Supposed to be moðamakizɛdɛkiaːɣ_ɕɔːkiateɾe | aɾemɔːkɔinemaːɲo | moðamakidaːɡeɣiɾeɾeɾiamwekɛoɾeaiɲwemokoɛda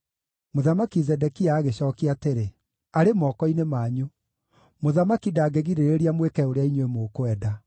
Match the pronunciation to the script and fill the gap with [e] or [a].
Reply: e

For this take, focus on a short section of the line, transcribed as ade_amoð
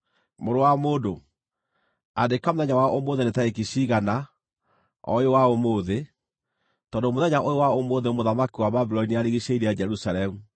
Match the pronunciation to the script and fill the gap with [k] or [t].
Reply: k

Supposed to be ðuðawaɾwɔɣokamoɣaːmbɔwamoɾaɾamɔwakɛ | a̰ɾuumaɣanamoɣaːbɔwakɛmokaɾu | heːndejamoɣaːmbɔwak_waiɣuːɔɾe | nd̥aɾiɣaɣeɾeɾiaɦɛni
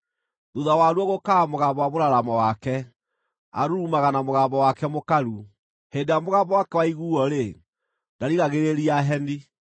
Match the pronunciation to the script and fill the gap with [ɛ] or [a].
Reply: ɛ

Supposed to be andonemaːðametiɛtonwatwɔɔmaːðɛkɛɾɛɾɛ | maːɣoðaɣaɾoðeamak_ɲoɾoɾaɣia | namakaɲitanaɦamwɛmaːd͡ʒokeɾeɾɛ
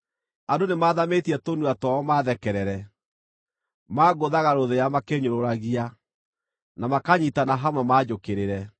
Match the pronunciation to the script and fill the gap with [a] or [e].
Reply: e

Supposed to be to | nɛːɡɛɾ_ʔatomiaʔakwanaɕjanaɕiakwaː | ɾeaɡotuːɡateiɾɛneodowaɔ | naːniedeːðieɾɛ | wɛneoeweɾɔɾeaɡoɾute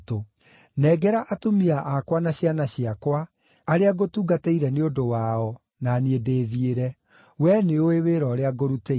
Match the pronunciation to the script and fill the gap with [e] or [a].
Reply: a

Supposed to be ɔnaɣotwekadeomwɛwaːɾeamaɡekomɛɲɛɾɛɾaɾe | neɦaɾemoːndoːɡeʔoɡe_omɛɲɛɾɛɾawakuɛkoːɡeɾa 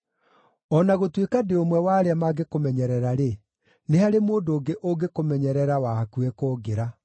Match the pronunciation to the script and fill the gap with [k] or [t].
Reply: k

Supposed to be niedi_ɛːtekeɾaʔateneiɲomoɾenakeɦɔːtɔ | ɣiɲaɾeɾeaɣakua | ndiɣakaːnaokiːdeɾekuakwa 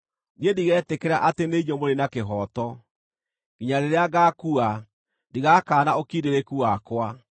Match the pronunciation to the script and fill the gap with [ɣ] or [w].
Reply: ɣ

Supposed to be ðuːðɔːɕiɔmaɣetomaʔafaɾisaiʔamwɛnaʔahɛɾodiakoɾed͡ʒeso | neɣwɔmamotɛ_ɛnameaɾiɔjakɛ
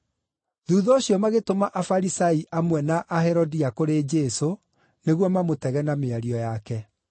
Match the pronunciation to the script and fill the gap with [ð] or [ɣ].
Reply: ɣ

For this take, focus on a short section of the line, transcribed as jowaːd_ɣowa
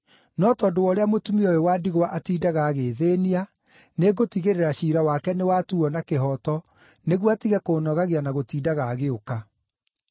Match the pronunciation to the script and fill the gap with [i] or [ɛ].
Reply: i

